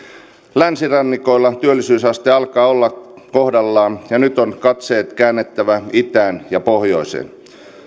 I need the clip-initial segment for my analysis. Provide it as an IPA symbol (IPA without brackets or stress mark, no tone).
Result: l